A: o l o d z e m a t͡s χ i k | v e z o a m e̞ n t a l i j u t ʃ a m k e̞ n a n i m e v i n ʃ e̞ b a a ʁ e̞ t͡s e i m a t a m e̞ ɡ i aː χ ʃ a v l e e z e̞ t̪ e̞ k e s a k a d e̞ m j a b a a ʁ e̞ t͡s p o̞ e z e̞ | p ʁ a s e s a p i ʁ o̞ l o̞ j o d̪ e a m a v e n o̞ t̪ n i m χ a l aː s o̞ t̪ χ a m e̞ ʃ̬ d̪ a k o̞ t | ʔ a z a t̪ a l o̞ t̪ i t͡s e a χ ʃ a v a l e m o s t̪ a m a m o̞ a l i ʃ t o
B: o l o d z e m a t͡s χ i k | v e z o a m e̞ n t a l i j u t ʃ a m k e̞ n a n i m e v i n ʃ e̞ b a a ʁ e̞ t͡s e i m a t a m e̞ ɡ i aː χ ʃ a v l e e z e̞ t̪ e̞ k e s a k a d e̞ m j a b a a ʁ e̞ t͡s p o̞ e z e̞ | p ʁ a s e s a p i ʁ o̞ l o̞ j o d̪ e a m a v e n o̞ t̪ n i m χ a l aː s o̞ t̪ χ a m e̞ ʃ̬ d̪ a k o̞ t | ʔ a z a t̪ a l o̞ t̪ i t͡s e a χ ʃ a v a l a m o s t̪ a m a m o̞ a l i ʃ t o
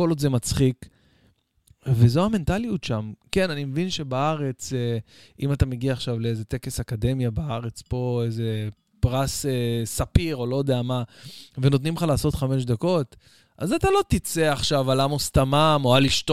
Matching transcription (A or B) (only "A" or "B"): B